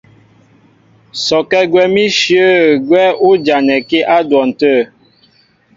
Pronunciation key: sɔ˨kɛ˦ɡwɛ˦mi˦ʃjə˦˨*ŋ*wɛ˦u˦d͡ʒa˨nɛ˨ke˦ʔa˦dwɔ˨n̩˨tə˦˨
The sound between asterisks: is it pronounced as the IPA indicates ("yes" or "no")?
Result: no